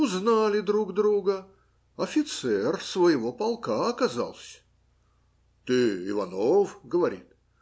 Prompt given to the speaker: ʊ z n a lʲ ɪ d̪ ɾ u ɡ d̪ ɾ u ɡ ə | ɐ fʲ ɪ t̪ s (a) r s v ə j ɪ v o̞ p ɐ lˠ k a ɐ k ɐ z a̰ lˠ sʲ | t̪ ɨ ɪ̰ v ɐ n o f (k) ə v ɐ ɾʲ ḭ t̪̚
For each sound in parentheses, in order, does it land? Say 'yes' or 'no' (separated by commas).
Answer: no, no